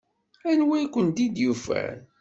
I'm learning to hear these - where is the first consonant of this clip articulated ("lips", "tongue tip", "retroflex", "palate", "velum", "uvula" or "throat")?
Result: tongue tip